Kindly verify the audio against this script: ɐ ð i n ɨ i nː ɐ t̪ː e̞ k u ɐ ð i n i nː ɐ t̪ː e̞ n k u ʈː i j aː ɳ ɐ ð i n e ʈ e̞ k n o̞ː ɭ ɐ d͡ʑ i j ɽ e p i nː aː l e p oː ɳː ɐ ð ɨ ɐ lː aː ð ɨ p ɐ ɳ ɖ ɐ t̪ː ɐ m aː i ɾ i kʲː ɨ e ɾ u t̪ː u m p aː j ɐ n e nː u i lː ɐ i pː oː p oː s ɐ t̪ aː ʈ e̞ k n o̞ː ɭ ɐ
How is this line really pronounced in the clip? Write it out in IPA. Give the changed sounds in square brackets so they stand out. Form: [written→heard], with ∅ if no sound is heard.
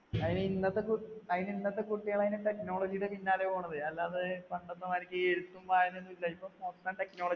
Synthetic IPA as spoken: ɐ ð i n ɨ i nː ɐ t̪ː e̞ k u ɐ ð i n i nː ɐ t̪ː e̞ [n→∅] k u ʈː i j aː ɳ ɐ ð i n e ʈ e̞ k n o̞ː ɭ ɐ d͡ʑ i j ɽ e p i nː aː l e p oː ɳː ɐ ð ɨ ɐ lː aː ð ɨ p ɐ ɳ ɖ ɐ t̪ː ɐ m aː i ɾ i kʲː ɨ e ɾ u t̪ː u m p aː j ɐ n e nː u i lː ɐ i pː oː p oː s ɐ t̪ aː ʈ e̞ k n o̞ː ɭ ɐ